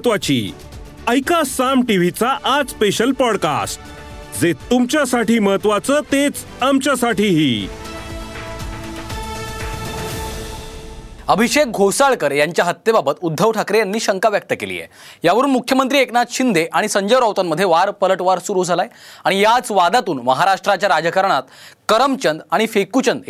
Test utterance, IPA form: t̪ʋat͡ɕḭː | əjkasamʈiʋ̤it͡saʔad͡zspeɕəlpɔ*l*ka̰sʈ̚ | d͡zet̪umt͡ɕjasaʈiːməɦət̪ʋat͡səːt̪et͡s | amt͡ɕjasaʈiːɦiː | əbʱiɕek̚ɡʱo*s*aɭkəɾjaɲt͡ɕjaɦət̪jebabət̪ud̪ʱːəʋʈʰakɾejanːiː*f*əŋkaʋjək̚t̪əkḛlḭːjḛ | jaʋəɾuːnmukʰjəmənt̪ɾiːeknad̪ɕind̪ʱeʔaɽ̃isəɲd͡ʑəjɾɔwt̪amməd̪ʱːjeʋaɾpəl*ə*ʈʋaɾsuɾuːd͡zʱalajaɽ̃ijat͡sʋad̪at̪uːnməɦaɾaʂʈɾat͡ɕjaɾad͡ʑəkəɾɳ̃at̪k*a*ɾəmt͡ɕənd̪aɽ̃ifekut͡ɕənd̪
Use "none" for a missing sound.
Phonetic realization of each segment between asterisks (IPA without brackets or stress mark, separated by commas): ɽ, s, ɕ, ə, ə